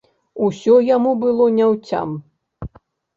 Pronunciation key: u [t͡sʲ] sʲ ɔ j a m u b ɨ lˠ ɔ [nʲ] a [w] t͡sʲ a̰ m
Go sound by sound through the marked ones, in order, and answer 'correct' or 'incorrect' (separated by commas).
incorrect, correct, correct